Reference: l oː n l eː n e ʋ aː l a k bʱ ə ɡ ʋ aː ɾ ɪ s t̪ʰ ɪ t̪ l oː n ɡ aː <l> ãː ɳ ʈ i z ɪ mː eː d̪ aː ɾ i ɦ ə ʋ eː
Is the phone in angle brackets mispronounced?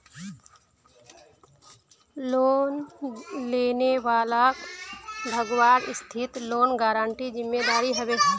yes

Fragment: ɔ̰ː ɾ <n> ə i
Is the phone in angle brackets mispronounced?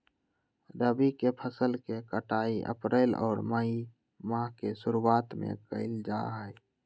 yes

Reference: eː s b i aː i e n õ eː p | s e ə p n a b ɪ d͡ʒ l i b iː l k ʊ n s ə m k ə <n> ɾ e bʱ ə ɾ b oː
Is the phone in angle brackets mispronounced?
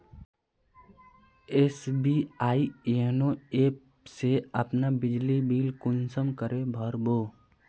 yes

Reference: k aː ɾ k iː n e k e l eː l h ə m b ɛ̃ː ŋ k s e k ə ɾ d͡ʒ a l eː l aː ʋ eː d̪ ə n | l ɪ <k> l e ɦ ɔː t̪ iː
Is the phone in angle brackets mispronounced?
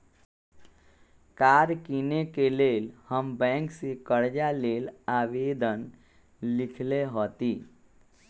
yes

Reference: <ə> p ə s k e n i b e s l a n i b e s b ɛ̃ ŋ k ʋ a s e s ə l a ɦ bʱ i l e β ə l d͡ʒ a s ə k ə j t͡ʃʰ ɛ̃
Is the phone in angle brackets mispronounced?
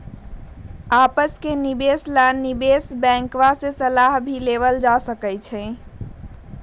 yes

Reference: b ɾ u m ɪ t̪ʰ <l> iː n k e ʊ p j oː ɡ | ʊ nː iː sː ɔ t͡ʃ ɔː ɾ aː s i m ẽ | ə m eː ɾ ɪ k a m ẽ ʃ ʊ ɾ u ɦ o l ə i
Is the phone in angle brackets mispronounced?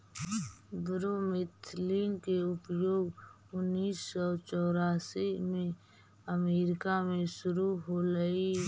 no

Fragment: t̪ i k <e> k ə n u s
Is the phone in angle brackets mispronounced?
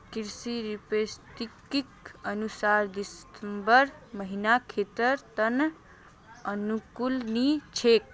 yes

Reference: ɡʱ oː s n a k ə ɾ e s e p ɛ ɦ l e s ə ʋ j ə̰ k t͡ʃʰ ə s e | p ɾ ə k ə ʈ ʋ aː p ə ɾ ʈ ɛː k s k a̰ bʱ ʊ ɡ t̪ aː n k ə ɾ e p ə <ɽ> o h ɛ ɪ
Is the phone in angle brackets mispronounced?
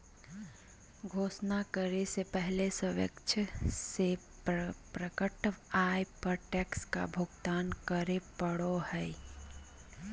no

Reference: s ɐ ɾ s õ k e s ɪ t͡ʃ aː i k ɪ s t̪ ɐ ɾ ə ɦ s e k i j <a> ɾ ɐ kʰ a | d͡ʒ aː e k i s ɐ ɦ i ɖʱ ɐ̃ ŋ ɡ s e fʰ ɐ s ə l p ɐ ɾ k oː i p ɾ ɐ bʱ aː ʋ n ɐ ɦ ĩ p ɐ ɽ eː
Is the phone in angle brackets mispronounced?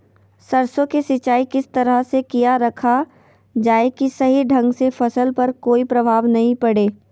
no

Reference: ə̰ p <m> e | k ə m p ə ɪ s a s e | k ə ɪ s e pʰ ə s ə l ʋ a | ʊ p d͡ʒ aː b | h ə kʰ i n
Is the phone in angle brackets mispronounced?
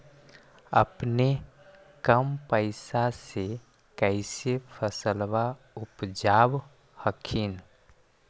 yes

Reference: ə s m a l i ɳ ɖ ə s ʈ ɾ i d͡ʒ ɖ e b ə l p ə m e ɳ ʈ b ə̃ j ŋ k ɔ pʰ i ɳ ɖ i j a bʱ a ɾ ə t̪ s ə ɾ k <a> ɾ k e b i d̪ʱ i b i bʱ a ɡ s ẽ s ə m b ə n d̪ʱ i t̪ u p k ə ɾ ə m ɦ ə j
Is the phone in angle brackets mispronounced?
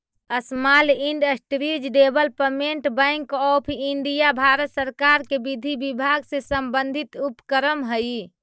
no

